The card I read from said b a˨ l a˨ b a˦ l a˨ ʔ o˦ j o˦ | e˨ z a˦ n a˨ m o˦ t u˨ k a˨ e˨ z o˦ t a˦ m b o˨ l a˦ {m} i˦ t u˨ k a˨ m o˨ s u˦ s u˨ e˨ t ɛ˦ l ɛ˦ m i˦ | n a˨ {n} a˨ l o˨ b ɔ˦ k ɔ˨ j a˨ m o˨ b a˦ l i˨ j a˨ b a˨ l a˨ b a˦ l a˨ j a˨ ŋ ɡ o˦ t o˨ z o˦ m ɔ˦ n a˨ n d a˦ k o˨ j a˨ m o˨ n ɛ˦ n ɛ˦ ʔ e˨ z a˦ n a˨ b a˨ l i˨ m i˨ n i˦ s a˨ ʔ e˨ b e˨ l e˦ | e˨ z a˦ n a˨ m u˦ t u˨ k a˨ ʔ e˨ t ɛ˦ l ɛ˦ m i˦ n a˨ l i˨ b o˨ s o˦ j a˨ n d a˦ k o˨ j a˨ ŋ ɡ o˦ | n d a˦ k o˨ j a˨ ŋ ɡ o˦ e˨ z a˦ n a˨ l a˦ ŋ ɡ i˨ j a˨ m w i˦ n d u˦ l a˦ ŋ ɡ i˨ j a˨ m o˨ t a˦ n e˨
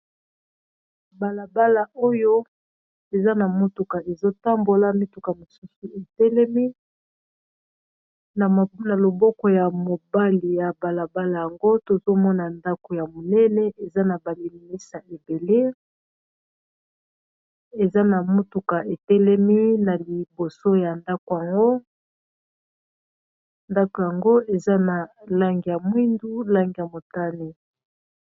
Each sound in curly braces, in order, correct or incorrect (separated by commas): correct, correct